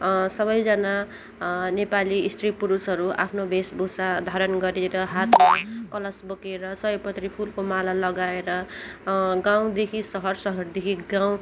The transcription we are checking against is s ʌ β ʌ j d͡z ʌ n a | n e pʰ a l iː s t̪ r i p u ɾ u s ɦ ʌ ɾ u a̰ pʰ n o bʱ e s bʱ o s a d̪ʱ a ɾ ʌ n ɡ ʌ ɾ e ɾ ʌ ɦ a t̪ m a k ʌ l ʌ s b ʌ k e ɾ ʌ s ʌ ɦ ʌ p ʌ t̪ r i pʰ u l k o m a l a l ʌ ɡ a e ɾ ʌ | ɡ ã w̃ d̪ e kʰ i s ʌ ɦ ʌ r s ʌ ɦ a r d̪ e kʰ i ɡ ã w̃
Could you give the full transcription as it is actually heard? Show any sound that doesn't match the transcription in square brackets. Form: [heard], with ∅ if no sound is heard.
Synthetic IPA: s ʌ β ʌ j d͡z ʌ n a | n e [p] a l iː s t̪ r i p u ɾ u s ɦ ʌ ɾ u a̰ pʰ n o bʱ e s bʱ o s a d̪ʱ a ɾ ʌ n ɡ ʌ ɾ e ɾ ʌ ɦ a t̪ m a k ʌ l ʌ s b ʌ k e ɾ ʌ s ʌ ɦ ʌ p ʌ t̪ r i pʰ u l k o m a l a l ʌ ɡ a e ɾ ʌ | ɡ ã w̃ d̪ e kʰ i s ʌ ɦ ʌ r s ʌ ɦ [ʌ] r d̪ e kʰ i ɡ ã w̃